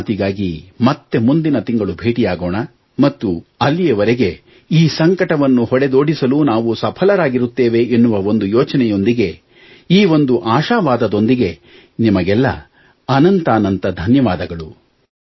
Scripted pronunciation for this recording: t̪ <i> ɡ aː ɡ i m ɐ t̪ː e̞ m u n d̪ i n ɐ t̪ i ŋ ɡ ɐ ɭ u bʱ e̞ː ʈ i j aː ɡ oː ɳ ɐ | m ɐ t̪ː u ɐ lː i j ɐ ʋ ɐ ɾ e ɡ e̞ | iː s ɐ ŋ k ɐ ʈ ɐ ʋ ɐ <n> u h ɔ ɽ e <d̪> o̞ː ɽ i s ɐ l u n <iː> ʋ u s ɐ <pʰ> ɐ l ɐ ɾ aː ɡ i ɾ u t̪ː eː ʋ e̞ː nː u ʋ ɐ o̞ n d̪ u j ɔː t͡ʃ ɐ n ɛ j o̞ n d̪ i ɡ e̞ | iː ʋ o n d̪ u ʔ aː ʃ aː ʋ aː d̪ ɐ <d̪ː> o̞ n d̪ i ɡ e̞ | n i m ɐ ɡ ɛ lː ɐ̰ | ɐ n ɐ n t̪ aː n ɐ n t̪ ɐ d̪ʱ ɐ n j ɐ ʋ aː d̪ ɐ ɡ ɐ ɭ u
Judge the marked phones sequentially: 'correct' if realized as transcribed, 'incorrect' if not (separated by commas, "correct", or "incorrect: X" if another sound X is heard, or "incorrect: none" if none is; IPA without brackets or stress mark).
correct, incorrect: nː, correct, incorrect: aː, correct, incorrect: d̪